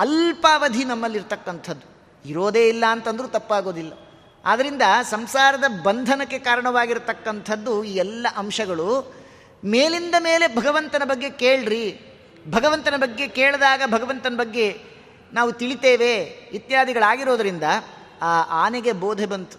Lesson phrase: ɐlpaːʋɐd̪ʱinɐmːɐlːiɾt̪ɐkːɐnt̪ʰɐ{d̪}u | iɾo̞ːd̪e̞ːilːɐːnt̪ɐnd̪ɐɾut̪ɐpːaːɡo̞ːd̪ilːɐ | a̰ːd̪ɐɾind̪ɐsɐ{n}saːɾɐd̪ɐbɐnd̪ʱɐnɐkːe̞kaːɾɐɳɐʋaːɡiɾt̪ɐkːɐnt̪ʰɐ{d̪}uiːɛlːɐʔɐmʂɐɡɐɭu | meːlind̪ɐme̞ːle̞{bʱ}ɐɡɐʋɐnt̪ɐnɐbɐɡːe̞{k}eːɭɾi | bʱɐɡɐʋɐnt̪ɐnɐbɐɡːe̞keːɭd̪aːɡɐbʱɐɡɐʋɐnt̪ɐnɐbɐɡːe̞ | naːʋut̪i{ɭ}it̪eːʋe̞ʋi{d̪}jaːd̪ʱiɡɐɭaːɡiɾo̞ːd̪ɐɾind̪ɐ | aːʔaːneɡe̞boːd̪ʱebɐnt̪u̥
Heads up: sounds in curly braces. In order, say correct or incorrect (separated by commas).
incorrect, incorrect, incorrect, correct, correct, correct, incorrect